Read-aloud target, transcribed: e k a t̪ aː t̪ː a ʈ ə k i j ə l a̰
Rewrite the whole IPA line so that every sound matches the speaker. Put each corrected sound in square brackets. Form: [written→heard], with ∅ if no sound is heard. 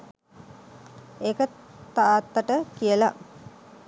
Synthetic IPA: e k [a→ə] t̪ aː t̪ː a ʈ ə k i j ə l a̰